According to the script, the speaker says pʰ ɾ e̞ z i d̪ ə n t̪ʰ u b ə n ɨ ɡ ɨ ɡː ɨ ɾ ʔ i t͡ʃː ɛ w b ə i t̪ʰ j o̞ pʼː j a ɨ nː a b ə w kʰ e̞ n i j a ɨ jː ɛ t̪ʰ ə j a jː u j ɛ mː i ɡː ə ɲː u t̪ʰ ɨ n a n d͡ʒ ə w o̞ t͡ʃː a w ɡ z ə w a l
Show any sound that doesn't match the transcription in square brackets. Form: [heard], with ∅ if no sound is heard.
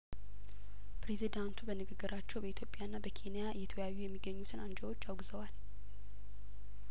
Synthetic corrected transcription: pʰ ɾ e̞ z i d̪ [a] n t̪ʰ u b ə n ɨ ɡ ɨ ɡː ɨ ɾ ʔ [a] t͡ʃː ɛ w b ə i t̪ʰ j o̞ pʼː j a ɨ nː a b ə [∅] kʰ e̞ n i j a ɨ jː ɛ t̪ʰ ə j a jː u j ɛ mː i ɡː ə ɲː u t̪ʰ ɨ n a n d͡ʒ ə w o̞ t͡ʃː a w ɡ z ə w a l